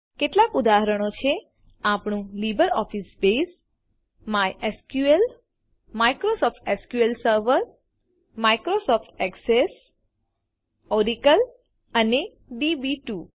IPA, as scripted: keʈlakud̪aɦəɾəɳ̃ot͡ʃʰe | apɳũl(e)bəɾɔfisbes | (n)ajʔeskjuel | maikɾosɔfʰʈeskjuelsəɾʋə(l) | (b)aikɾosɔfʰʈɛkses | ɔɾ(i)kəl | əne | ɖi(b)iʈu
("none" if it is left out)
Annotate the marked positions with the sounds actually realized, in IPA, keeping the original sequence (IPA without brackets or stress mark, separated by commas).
i, m, ɾ, m, i, b